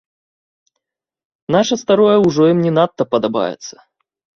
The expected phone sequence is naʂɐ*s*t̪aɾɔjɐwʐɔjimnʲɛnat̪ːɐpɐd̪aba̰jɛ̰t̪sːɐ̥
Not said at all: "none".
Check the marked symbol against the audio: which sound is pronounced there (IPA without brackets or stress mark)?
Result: s